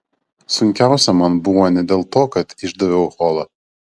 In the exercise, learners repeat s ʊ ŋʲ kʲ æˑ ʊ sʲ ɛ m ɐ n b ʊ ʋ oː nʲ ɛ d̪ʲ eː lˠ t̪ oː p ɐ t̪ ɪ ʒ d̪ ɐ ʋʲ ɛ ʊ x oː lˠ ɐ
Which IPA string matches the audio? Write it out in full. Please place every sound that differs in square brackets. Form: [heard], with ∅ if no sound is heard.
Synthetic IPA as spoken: s ʊ ŋʲ kʲ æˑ ʊ sʲ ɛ m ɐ n b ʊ ʋ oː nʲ ɛ d̪ʲ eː lˠ t̪ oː [k] ɐ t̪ ɪ ʒ d̪ ɐ ʋʲ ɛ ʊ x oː lˠ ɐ